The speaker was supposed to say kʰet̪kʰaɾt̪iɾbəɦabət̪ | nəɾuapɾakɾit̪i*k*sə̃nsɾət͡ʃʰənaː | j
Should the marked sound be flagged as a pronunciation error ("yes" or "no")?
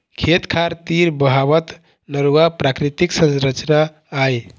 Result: no